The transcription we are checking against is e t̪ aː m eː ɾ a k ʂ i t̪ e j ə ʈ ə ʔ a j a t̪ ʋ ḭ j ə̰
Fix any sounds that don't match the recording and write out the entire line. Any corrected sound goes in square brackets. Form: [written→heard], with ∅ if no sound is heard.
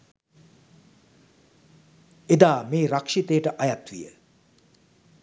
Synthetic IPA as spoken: e [t̪→d̪] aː m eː ɾ a k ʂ i t̪ e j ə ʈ ə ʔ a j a t̪ ʋ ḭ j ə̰

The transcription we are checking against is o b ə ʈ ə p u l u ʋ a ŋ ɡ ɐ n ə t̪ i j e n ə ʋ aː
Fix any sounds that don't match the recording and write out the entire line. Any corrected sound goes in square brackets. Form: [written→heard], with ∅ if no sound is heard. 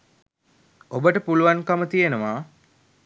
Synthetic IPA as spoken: o b ə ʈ ə p u l u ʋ a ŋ [ɡ→k] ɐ [n→m] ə t̪ i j e n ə ʋ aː

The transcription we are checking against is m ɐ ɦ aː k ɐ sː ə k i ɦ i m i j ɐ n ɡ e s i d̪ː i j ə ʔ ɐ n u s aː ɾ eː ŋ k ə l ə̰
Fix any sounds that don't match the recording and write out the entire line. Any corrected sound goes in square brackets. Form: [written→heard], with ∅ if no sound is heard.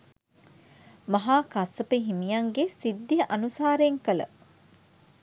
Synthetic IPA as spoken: m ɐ ɦ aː k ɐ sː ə [k→p] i ɦ i m i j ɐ [n→ŋ] ɡ e s i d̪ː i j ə ʔ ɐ n u s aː ɾ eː ŋ k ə l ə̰

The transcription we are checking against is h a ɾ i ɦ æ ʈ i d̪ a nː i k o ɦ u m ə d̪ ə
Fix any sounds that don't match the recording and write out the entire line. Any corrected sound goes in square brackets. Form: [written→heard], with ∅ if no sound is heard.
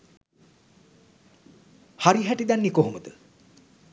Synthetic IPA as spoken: h a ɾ i ɦ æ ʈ i d̪ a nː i k o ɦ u m ə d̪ ə

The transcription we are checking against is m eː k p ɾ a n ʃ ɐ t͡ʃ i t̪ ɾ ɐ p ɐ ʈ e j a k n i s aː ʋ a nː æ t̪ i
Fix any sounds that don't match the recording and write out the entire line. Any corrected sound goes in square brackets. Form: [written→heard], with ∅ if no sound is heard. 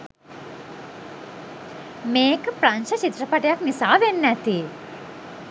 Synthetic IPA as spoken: m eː k p ɾ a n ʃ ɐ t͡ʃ i t̪ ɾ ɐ p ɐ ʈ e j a k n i s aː ʋ [a→e] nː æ t̪ i

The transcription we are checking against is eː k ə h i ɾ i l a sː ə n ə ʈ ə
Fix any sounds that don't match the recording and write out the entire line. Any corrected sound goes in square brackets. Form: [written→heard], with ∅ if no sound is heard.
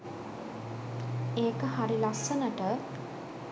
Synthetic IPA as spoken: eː k ə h [i→a] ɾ i l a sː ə n ə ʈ ə

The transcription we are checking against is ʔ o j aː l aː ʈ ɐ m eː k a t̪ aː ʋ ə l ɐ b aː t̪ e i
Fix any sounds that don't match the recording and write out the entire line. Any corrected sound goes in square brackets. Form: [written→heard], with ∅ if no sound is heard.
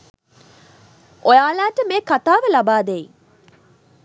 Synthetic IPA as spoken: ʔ o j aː l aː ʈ [ɐ→ə] m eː k a t̪ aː ʋ ə l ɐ b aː [t̪→d̪] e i

